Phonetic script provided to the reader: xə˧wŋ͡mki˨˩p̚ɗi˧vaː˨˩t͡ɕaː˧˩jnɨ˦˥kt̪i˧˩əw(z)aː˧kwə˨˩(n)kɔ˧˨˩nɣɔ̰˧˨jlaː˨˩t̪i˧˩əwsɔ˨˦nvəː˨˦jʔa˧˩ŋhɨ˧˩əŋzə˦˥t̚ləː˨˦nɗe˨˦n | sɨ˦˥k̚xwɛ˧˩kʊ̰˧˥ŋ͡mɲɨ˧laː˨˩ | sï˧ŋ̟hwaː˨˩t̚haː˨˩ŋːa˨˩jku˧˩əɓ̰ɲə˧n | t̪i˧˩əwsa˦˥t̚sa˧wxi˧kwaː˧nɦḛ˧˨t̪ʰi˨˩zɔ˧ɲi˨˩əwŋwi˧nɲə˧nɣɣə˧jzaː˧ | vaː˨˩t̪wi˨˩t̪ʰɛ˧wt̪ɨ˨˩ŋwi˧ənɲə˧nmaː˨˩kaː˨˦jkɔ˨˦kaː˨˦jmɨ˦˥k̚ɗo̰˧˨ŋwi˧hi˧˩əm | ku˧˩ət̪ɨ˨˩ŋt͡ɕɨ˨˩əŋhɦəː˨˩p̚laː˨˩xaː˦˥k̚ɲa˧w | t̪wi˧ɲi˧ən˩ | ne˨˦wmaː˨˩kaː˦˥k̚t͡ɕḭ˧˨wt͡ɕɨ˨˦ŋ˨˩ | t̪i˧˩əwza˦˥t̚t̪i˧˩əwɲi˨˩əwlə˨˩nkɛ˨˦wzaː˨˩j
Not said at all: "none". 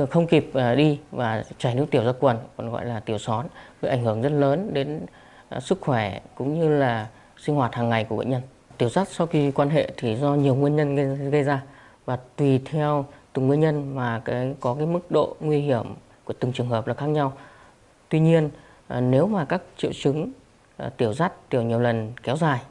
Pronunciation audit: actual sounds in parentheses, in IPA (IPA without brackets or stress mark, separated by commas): z, n